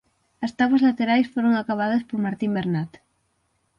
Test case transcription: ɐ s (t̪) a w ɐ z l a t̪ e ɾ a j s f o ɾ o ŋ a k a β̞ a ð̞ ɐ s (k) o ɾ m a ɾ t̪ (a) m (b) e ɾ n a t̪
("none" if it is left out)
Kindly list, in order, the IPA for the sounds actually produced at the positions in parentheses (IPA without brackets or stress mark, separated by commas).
t̪, p, i, b